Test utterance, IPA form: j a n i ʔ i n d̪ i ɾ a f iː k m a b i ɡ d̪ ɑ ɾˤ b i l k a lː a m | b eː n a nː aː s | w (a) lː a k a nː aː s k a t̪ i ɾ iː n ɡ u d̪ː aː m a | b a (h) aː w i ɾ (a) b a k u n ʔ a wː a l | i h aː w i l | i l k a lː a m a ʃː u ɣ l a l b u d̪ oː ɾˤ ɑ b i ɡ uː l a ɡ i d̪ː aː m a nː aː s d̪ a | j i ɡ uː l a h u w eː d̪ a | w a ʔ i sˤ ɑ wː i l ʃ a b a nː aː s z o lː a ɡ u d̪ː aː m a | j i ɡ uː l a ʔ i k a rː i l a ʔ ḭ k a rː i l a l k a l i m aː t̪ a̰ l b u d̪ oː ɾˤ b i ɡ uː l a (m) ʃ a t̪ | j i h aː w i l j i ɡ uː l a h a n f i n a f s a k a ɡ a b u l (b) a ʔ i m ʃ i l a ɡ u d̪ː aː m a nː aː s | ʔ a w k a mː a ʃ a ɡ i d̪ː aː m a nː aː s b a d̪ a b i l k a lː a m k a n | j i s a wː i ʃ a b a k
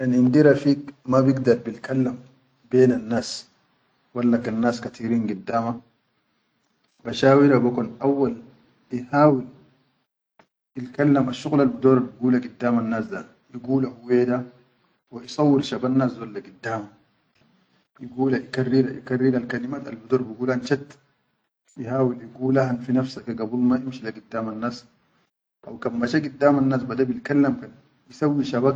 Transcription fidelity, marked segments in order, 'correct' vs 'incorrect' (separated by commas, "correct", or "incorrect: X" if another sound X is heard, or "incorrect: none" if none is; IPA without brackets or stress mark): correct, incorrect: ʃ, correct, incorrect: n, incorrect: m